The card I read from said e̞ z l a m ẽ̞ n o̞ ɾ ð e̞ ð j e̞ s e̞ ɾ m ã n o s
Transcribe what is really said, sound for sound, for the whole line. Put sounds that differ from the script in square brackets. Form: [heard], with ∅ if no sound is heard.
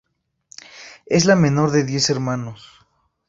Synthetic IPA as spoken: e̞ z l a m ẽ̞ n o̞ ɾ ð e̞ ð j e̞ s e̞ ɾ m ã n o s